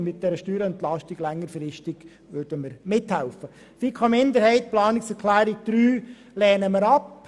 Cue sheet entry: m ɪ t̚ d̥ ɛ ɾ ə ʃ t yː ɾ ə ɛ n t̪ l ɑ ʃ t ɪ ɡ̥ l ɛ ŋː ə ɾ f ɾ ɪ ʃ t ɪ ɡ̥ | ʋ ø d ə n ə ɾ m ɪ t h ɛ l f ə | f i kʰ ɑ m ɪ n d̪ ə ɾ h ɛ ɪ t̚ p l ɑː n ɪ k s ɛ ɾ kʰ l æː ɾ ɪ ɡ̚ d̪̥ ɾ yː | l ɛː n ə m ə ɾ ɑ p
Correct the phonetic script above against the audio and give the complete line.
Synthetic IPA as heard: m ɪ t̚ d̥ ɛ ɾ ə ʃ t yː ɾ ə ɛ n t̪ l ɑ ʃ t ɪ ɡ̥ l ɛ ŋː ə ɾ f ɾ ɪ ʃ t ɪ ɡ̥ | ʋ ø d ə m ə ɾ m ɪ t h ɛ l f ə | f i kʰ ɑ m ɪ n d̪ ə ɾ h ɛ ɪ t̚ p l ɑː n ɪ k s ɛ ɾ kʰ l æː ɾ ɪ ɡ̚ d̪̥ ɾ yː | l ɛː n ə m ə ɾ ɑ p